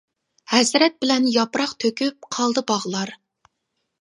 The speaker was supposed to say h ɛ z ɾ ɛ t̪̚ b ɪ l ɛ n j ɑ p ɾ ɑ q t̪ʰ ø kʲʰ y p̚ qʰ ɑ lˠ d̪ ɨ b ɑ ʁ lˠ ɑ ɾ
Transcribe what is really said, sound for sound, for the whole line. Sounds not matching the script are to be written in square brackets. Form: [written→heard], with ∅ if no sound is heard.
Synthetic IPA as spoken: h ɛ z ɾ ɛ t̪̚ b ɪ l ɛ n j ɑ p ɾ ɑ q t̪ʰ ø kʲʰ y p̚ qʰ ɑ lˠ d̪ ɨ b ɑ ʁ lˠ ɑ ɾ

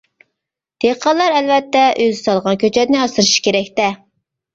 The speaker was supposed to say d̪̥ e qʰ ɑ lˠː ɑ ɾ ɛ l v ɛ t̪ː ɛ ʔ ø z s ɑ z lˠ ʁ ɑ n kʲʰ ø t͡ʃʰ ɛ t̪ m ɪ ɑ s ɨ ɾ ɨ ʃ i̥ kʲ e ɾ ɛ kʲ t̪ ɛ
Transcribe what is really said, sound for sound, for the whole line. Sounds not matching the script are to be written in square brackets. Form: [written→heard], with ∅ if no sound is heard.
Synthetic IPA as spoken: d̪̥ e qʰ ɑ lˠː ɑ ɾ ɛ l v ɛ t̪ː ɛ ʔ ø z s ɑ [z→∅] lˠ ʁ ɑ n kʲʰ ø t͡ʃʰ ɛ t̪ [m→n] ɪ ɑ s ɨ ɾ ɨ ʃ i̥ kʲ e ɾ ɛ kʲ t̪ ɛ

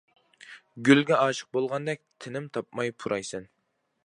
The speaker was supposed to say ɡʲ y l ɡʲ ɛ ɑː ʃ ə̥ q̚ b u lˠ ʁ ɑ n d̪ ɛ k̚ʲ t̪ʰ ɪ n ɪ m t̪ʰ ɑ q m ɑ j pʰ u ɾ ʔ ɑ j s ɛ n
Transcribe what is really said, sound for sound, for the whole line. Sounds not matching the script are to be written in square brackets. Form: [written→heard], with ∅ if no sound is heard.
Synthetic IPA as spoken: ɡʲ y l ɡʲ ɛ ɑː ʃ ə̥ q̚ b [u→o] lˠ ʁ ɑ n d̪ ɛ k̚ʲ t̪ʰ ɪ n ɪ m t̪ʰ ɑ [q→p] m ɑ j pʰ u ɾ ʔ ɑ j s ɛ n

